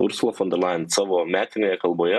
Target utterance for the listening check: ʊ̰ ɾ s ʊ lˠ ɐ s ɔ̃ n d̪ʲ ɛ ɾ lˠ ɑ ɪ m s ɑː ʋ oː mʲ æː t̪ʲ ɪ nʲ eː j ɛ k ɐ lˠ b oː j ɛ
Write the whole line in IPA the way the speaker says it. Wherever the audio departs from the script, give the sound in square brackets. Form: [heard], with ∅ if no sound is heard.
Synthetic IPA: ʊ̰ ɾ s ʊ lˠ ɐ [f] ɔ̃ n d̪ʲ ɛ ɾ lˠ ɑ ɪ [n] s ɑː ʋ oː mʲ æː t̪ʲ ɪ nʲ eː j ɛ k ɐ lˠ b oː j ɛ

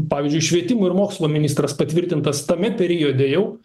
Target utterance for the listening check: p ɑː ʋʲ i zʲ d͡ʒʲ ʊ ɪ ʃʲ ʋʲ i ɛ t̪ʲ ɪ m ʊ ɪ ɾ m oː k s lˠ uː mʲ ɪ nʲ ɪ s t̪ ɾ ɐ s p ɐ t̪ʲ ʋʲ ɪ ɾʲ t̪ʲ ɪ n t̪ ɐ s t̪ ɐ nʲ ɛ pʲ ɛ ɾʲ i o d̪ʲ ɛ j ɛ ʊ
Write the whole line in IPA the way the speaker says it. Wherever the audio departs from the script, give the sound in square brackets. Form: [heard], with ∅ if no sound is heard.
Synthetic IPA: p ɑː ʋʲ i zʲ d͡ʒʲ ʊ ɪ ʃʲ ʋʲ i ɛ t̪ʲ ɪ m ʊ ɪ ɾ m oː k s lˠ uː mʲ ɪ nʲ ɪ s t̪ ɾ ɐ s p ɐ t̪ʲ ʋʲ ɪ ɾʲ t̪ʲ ɪ n t̪ ɐ s t̪ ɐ [mʲ] ɛ pʲ ɛ ɾʲ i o d̪ʲ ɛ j ɛ ʊ

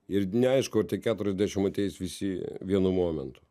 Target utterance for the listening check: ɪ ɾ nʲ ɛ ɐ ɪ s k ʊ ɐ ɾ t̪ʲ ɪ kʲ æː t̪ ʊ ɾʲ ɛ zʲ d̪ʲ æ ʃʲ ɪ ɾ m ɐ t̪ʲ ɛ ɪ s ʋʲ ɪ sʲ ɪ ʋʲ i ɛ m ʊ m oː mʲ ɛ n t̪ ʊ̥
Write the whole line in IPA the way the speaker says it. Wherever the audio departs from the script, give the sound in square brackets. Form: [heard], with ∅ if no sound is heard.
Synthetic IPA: ɪ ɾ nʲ ɛ ɐ ɪ [ʃ] k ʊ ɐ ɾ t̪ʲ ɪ kʲ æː t̪ ʊ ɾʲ ɛ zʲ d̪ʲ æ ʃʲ ɪ [∅] m ɐ t̪ʲ ɛ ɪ s ʋʲ ɪ sʲ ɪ ʋʲ i ɛ [n] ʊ m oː mʲ ɛ n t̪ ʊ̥

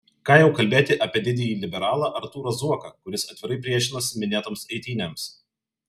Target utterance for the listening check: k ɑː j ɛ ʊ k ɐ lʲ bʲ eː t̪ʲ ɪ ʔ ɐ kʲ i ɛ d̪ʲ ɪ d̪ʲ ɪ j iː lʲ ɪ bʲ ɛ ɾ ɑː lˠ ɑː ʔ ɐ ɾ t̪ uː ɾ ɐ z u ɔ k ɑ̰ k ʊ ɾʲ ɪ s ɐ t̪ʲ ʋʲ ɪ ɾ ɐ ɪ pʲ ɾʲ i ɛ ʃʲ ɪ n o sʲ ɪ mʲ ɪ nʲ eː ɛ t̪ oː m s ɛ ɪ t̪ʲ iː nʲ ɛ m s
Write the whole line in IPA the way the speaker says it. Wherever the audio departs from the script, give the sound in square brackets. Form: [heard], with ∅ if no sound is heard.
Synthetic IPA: k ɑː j ɛ ʊ k ɐ lʲ bʲ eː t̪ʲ ɪ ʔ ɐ [pʲ] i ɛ d̪ʲ ɪ d̪ʲ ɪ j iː lʲ ɪ bʲ ɛ ɾ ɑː lˠ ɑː ʔ ɐ ɾ t̪ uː ɾ ɐ z u ɔ k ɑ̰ k ʊ ɾʲ ɪ s ɐ t̪ʲ ʋʲ ɪ ɾ ɐ ɪ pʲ ɾʲ i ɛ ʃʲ ɪ n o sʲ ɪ mʲ ɪ nʲ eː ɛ t̪ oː m s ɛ ɪ t̪ʲ iː nʲ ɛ m s

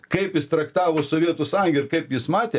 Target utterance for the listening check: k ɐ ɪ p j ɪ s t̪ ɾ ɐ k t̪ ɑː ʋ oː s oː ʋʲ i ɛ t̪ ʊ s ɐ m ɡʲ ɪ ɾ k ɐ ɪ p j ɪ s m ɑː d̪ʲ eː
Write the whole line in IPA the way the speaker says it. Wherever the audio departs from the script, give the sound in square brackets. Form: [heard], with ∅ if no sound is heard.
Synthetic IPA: k ɐ ɪ p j ɪ s t̪ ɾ ɐ k t̪ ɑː ʋ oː s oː ʋʲ i ɛ t̪ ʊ s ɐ [ŋ] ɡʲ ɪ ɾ k ɐ ɪ p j ɪ s m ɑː [t̪ʲ] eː

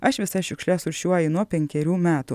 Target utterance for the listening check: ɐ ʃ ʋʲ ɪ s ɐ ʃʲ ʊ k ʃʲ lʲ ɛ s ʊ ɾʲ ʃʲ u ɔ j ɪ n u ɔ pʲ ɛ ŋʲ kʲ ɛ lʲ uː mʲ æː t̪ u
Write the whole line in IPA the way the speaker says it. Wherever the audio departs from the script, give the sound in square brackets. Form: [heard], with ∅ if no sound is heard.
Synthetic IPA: ɐ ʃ ʋʲ ɪ s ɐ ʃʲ ʊ k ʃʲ lʲ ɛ s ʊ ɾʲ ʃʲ u ɔ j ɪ n u ɔ pʲ ɛ ŋʲ kʲ ɛ [ɾʲ] uː mʲ æː t̪ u

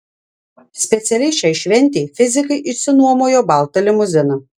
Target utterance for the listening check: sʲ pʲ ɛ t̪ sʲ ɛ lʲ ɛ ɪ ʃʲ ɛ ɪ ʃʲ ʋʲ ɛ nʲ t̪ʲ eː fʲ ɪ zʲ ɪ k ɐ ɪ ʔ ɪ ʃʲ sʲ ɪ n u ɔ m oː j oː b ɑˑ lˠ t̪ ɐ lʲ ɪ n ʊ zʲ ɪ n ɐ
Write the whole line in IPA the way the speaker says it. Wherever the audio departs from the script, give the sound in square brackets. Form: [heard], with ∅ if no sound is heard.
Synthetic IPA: sʲ pʲ ɛ t̪ sʲ ɛ lʲ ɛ ɪ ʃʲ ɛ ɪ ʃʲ ʋʲ ɛ nʲ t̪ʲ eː fʲ ɪ zʲ ɪ k ɐ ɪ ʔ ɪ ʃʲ sʲ ɪ n u ɔ m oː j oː b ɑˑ lˠ t̪ ɐ lʲ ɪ [m] ʊ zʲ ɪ n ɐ

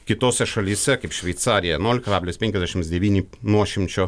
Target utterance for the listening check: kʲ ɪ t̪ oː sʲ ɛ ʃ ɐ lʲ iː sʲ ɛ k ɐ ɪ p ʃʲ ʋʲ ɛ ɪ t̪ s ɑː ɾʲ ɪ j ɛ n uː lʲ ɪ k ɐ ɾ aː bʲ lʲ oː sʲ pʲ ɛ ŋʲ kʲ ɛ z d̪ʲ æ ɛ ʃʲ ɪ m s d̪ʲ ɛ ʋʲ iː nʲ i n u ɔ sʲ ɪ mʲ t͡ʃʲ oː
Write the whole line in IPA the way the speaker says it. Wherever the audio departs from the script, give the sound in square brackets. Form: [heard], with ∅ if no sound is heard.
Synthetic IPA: kʲ ɪ t̪ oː sʲ ɛ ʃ ɐ lʲ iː sʲ ɛ k ɐ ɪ p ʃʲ ʋʲ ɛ ɪ t̪ s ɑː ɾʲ ɪ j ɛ n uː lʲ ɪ k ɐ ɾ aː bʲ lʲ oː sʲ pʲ ɛ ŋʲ kʲ ɛ z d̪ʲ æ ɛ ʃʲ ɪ m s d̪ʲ ɛ ʋʲ iː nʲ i n u ɔ [ʃʲ] ɪ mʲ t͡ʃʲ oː

